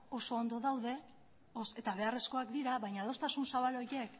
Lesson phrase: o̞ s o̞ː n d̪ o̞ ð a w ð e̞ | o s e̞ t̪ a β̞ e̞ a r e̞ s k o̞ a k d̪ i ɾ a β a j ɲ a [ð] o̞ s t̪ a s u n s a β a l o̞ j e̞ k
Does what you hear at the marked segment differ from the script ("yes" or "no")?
no